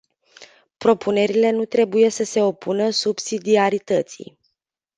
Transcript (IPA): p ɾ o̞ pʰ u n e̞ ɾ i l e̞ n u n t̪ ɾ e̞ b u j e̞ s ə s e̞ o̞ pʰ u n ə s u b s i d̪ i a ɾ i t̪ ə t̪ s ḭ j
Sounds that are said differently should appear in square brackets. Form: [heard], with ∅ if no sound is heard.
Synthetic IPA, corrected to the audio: p ɾ o̞ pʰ u n e̞ ɾ i l e̞ n u [∅] t̪ ɾ e̞ b u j e̞ s ə s e̞ o̞ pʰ u n ə s u b s i d̪ i a ɾ i t̪ ə t̪ s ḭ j